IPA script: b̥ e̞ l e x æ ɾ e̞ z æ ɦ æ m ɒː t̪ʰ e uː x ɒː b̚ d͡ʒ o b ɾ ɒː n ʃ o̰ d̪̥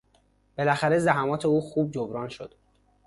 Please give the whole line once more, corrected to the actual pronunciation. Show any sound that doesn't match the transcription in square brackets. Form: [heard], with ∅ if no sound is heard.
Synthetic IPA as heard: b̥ e̞ l [æ] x æ ɾ e̞ z æ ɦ æ m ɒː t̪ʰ e uː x [uː] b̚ d͡ʒ o b ɾ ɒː n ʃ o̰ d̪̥